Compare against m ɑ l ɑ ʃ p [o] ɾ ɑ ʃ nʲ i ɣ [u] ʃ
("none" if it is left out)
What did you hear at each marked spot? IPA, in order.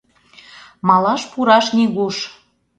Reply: u, u

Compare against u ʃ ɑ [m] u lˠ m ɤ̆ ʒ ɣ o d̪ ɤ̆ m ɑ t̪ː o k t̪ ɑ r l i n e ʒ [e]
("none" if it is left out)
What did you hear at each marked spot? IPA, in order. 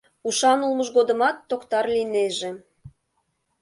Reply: n, e

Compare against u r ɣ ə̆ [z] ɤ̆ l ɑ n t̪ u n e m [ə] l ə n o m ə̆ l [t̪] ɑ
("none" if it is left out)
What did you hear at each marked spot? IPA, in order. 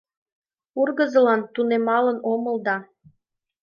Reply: z, ɑ, d̪

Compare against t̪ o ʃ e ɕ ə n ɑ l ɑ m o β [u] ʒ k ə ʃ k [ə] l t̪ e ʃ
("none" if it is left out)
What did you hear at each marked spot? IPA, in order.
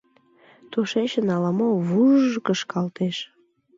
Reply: u, ɑ

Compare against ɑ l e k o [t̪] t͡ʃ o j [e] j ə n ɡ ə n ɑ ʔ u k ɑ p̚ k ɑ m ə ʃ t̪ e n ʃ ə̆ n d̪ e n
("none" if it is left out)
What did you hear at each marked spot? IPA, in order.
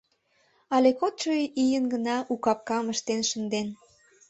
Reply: t̪, i

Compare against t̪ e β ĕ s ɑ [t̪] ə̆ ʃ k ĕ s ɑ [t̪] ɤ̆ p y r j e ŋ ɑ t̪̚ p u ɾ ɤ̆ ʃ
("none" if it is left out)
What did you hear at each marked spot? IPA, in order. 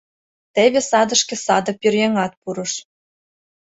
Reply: d̪, d̪

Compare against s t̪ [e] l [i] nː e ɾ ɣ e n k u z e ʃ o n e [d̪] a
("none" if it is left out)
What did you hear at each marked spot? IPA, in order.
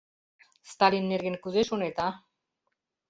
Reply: a, i, t̪

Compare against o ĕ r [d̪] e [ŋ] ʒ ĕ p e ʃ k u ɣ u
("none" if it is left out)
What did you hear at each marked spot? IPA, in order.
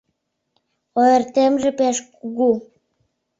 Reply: t̪, m

